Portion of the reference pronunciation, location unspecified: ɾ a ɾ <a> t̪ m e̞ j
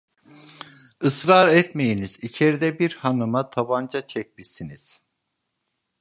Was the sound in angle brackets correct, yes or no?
no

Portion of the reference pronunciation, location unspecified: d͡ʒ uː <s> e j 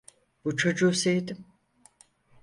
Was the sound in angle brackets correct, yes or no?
yes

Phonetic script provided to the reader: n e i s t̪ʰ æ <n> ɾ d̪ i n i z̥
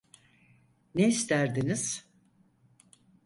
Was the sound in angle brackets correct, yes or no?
no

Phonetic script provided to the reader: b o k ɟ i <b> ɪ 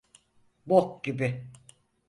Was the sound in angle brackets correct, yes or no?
yes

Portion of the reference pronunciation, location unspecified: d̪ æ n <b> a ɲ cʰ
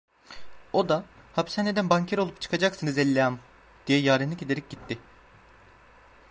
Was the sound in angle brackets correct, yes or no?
yes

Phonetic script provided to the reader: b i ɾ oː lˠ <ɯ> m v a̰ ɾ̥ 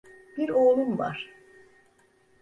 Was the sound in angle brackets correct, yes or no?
no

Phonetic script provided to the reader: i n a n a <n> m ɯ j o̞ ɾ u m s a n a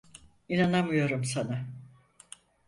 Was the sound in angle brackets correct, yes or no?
no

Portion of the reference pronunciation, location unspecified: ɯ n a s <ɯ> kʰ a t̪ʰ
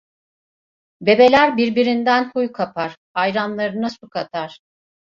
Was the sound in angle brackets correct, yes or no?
no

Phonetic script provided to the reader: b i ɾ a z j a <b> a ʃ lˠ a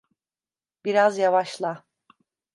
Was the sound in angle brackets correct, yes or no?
no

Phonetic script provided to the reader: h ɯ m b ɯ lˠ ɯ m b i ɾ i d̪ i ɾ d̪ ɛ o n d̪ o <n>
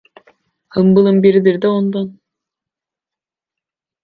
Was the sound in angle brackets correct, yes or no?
yes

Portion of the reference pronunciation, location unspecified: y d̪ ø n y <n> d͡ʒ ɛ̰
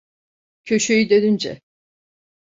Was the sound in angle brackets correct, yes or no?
yes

